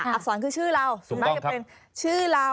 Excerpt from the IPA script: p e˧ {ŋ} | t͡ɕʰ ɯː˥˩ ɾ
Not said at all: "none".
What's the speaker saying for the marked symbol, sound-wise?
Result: n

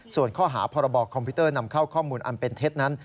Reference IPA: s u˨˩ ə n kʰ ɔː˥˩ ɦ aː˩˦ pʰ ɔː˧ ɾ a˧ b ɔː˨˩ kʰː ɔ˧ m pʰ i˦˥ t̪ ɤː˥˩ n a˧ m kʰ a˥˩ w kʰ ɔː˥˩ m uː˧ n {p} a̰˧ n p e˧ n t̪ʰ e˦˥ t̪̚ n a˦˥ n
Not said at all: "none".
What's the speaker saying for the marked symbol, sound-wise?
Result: ʔ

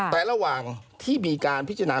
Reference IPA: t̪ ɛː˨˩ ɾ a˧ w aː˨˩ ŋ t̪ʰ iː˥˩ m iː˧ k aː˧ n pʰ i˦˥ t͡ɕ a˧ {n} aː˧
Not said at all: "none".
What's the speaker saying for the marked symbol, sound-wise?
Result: n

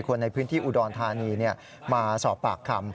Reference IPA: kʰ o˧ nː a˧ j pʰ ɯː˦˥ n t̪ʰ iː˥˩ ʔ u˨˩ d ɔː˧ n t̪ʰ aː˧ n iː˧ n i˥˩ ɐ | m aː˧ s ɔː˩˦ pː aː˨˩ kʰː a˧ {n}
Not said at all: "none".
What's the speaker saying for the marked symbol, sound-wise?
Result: m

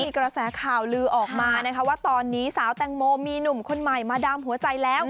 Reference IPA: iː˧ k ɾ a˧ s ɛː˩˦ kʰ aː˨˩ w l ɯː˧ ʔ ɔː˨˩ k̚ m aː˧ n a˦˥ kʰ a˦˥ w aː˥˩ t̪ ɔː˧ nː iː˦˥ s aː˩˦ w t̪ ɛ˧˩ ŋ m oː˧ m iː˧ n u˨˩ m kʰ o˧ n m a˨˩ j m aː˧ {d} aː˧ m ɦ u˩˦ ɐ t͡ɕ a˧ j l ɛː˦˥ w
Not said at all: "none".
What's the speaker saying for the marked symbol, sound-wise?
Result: d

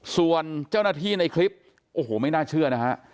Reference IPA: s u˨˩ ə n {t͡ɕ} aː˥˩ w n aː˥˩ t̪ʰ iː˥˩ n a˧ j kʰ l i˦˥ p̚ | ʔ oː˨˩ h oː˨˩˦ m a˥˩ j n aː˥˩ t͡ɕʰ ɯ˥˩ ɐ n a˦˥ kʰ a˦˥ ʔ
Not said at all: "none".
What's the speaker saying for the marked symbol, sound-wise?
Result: t͡ɕ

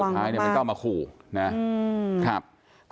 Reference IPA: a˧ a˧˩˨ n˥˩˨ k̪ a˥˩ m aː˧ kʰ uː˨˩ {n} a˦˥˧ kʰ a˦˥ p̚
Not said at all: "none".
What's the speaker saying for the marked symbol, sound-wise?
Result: n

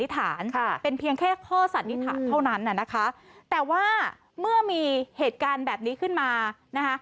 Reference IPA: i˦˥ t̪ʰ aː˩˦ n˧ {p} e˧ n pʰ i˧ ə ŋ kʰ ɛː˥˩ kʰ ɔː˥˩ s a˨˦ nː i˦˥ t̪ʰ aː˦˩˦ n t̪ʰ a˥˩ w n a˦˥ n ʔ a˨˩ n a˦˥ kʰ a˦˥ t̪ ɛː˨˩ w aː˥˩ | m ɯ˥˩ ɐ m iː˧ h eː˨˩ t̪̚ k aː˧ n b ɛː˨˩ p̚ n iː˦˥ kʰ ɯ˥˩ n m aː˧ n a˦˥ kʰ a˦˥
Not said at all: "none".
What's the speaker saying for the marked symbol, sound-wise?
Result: p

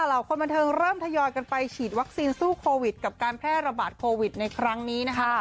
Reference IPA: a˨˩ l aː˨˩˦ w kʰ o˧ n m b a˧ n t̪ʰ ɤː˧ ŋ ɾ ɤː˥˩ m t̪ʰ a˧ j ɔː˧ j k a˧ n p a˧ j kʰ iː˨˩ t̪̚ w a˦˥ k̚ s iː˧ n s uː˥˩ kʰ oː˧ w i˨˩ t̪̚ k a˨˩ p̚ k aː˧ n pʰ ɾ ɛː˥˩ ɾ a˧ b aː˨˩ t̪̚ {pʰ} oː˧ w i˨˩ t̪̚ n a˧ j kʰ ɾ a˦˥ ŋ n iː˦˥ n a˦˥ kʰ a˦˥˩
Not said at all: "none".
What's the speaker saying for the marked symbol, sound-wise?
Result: kʰ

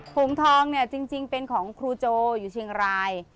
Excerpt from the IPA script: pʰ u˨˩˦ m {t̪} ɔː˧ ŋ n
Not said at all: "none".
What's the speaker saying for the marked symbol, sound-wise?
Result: t̪ʰ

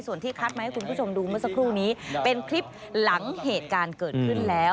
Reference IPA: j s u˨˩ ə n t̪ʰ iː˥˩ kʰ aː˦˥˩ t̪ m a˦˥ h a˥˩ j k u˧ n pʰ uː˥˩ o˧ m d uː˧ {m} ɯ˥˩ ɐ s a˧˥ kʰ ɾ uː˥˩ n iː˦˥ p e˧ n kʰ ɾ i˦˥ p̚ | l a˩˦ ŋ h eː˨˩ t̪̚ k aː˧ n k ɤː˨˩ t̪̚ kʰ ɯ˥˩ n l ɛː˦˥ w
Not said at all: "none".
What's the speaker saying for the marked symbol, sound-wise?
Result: m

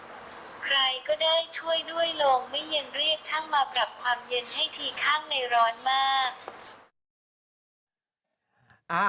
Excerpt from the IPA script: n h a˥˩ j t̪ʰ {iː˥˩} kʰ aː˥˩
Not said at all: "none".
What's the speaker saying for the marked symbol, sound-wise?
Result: iː˧˩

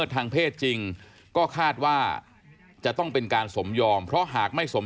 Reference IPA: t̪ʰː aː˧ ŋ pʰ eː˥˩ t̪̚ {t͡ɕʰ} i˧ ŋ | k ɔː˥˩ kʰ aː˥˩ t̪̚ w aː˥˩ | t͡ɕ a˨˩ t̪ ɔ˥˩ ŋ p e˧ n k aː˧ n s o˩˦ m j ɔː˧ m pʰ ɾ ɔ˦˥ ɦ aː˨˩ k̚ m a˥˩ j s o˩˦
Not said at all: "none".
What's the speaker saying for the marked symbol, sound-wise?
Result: t͡ɕ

